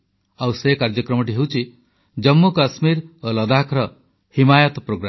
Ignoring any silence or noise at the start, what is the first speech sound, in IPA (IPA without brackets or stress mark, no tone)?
a